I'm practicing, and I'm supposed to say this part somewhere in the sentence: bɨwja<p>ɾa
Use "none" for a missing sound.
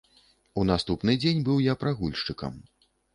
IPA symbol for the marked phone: p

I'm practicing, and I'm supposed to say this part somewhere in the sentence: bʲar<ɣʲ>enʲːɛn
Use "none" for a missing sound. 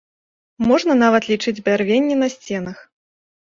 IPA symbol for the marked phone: vʲ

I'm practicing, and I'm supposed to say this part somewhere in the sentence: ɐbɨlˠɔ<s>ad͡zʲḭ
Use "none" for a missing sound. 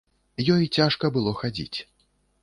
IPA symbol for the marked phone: x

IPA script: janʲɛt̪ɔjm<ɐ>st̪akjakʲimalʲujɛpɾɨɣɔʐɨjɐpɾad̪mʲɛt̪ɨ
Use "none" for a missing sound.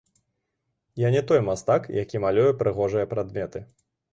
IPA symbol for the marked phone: a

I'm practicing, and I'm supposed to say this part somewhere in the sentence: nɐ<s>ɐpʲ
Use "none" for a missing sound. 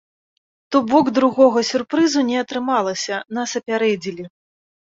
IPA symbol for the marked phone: s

